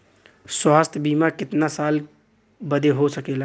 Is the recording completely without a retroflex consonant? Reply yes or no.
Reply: yes